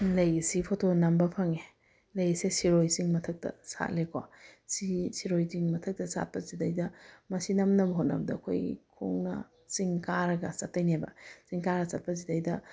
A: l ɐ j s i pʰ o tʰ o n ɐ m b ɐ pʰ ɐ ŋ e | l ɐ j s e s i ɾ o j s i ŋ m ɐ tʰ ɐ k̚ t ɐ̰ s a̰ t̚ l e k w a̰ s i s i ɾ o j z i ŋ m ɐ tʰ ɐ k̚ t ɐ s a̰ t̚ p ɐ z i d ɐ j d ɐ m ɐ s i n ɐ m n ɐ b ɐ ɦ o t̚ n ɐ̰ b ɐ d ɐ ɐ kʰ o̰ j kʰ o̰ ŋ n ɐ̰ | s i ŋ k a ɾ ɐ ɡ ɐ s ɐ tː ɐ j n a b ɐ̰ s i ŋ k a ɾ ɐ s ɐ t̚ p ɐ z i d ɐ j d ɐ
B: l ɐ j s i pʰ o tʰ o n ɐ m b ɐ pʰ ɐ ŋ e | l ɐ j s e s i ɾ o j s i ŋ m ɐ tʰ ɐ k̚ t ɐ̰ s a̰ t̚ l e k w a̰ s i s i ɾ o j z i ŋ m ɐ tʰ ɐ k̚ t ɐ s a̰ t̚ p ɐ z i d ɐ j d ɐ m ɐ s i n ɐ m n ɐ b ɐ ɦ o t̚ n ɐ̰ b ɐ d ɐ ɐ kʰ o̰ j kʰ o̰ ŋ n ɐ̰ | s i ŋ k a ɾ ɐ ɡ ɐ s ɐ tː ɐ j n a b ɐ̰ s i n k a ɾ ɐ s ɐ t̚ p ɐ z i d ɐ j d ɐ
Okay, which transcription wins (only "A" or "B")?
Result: A